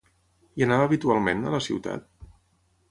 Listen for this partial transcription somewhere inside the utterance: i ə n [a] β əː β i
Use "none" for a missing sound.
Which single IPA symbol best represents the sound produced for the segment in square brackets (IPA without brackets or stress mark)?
a